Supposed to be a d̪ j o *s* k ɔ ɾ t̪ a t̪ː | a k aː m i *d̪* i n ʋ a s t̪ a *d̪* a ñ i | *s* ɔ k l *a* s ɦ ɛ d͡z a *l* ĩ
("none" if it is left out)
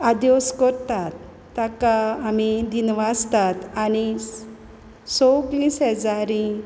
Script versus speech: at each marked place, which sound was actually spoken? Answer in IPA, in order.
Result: s, d̪, t̪, s, i, ɾ

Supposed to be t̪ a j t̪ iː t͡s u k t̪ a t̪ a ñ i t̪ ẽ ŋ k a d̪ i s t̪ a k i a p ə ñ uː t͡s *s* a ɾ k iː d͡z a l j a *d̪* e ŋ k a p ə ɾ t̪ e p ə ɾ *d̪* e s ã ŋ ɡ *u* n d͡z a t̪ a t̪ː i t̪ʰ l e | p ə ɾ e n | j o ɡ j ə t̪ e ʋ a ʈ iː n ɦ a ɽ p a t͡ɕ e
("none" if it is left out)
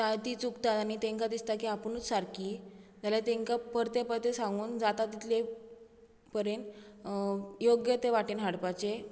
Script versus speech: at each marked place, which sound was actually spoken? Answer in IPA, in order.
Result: s, t̪, t̪, uː

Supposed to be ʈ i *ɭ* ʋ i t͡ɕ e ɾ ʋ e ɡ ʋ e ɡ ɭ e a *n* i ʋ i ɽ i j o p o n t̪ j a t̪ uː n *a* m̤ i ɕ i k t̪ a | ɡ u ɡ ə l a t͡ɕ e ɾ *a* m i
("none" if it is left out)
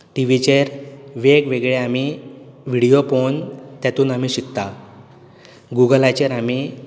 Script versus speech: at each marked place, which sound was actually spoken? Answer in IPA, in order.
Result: none, m, a, a

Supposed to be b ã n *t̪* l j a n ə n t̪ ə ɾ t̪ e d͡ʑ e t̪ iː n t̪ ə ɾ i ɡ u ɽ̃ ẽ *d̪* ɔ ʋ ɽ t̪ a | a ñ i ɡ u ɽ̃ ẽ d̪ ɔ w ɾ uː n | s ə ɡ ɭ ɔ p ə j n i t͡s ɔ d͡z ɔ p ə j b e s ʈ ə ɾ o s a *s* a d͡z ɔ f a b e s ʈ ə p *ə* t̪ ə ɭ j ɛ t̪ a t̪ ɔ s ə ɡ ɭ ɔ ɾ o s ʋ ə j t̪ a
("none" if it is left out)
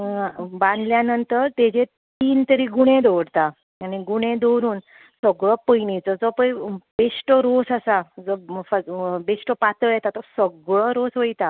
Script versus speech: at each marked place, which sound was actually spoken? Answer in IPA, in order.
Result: d̪, d̪, s, a

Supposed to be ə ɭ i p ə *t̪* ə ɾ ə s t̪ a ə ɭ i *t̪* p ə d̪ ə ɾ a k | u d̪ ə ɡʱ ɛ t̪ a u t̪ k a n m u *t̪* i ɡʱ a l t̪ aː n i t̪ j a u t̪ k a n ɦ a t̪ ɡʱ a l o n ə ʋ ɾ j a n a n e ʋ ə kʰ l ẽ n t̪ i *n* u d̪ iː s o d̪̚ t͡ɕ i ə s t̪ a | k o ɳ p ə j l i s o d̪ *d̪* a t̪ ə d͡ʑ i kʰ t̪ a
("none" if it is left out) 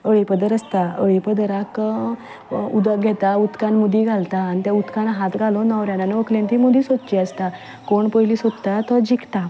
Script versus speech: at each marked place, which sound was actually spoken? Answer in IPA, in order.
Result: d̪, none, d̪, m, t̪

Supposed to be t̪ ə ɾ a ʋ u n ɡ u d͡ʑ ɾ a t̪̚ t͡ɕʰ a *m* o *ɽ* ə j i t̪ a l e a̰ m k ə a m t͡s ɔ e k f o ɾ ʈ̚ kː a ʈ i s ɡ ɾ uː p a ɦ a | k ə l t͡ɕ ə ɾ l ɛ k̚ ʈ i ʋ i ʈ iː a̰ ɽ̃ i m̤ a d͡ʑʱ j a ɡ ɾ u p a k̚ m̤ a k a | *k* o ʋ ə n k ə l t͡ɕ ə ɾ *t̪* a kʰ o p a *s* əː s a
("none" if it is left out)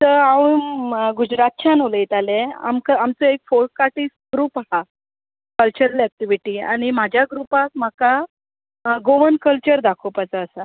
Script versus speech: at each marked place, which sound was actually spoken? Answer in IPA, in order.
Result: n, l, ɡ, d̪, t͡s

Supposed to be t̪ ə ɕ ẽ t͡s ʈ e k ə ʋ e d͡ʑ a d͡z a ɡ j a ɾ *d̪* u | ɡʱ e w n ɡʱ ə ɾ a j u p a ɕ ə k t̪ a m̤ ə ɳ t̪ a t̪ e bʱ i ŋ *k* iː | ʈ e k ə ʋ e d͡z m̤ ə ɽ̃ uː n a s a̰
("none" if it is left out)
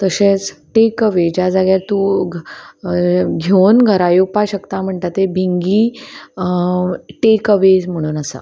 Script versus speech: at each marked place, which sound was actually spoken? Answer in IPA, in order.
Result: t̪, ɡ

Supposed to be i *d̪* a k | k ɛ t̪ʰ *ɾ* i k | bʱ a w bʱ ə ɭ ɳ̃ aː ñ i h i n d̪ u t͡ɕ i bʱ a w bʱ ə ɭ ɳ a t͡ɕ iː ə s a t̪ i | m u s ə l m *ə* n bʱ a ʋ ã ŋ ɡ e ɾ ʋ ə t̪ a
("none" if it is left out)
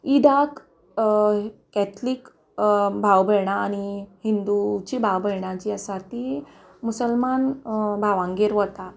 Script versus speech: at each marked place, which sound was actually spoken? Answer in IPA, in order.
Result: d̪, l, a

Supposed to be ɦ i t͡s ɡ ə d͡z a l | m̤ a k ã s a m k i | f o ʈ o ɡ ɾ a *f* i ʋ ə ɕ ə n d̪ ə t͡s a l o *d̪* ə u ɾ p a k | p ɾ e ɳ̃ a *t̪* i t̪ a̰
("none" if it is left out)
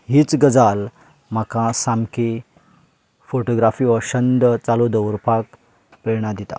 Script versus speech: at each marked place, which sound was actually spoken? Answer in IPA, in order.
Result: f, d̪, d̪

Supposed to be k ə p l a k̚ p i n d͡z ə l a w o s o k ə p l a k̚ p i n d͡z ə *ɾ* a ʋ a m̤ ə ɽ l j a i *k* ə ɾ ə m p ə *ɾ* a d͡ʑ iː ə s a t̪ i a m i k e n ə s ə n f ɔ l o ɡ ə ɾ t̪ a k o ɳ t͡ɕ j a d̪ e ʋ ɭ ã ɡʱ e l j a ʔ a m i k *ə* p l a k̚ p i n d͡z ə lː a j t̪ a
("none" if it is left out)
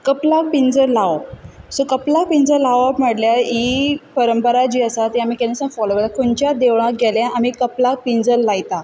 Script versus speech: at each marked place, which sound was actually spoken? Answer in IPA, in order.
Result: l, p, ɾ, ə

